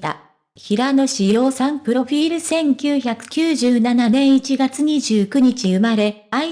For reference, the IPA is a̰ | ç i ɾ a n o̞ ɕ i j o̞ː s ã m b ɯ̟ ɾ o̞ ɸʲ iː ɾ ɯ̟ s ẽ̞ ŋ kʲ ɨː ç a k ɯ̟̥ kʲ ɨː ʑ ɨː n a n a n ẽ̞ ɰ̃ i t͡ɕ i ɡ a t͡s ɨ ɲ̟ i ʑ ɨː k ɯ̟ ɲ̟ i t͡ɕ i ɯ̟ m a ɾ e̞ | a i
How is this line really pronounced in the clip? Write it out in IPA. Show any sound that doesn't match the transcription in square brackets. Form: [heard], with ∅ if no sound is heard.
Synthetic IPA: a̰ | ç i ɾ a n o̞ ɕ i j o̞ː s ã m [p] ɯ̟ ɾ o̞ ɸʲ iː ɾ ɯ̟ s ẽ̞ ŋ kʲ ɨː ç a k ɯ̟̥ kʲ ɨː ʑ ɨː n a n a n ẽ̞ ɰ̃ i t͡ɕ i ɡ a t͡s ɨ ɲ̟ i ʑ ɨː k ɯ̟ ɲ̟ i t͡ɕ i ɯ̟ m a ɾ e̞ | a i